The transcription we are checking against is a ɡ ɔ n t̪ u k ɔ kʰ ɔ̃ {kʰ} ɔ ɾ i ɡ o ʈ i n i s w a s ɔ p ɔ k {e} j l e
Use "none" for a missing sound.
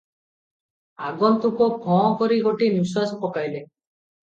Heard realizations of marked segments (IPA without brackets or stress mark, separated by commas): k, a